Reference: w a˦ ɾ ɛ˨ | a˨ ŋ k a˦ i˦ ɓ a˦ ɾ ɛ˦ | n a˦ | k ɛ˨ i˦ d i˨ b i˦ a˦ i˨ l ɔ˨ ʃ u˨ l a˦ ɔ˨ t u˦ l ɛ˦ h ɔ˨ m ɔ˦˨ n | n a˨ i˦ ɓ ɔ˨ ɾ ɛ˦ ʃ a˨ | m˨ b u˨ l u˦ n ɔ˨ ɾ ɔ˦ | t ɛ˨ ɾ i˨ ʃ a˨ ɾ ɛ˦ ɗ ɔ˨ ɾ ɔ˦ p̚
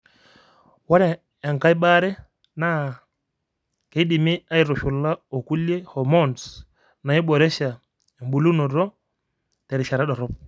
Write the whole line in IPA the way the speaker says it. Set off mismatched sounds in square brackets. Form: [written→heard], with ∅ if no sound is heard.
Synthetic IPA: w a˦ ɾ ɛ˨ | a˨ ŋ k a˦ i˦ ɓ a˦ ɾ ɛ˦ | n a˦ | k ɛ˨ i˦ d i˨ [b→m] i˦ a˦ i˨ [l→ɾ] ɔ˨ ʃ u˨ l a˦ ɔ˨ [t→k] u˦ l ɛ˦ h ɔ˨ m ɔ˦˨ n | n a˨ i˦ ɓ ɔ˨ ɾ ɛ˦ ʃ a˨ | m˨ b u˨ l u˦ n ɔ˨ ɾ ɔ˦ | t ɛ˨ ɾ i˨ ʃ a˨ ɾ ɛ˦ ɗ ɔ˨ ɾ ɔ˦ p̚